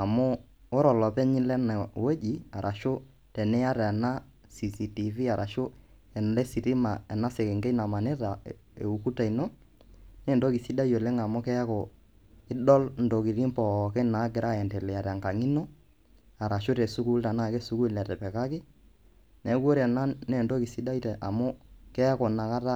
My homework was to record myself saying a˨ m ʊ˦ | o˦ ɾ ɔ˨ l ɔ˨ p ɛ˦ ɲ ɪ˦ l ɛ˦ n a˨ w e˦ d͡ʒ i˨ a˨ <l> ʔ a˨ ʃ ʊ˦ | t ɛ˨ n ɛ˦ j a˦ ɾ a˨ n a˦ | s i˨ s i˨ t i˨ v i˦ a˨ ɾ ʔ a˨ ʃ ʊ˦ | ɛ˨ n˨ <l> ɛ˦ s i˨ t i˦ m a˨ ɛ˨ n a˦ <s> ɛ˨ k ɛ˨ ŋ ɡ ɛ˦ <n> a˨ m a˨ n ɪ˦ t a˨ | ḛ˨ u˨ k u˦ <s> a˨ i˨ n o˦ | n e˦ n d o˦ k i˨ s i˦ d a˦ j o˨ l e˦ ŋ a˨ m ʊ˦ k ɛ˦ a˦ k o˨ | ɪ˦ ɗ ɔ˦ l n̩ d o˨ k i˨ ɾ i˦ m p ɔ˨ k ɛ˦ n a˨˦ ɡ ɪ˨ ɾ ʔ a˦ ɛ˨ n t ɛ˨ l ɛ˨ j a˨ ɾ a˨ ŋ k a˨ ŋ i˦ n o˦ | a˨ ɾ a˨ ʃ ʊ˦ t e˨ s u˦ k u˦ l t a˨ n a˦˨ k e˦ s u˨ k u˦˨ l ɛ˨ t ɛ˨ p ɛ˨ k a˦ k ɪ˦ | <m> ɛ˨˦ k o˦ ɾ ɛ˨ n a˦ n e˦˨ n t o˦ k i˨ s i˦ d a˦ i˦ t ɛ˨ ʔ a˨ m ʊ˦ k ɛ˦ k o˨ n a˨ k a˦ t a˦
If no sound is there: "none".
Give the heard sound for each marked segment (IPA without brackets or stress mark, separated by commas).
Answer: ɾ, l, s, n, t, n